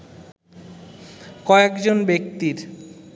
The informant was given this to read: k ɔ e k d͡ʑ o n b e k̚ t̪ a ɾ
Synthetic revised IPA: k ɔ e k d͡ʑ o n b e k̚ t̪ i ɾ